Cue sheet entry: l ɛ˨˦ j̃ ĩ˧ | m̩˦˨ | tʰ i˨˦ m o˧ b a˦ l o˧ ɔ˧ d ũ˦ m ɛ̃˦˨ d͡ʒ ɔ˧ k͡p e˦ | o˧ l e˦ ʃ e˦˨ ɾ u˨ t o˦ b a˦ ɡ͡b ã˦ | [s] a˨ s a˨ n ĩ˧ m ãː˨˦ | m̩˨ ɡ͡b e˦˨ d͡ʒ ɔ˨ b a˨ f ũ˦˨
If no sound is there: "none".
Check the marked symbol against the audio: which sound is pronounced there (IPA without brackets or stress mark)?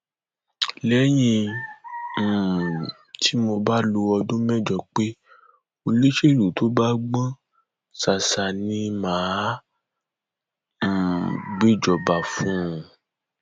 s